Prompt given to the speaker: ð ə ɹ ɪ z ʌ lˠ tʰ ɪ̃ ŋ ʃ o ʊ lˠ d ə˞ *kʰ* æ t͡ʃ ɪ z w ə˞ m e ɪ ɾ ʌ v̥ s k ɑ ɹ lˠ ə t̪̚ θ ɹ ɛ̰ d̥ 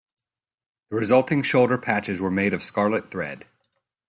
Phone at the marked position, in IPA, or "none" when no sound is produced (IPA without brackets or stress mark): pʰ